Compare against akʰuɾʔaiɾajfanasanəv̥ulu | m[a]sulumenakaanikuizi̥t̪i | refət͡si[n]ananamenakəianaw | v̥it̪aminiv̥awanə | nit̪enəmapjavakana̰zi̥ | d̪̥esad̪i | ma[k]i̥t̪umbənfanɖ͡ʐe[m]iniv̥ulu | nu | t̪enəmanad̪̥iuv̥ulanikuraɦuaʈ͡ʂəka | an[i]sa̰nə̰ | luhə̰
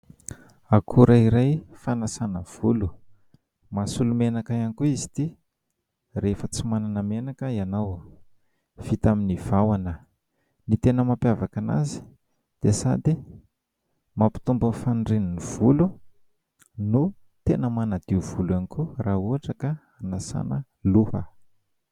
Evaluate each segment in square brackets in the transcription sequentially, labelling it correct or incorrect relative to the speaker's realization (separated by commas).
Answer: correct, incorrect, incorrect, incorrect, incorrect